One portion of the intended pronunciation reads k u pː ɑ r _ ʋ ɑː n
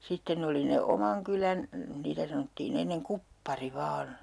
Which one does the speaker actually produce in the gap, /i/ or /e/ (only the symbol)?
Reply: i